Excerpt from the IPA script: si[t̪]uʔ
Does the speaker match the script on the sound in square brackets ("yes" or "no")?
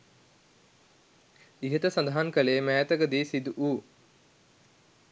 no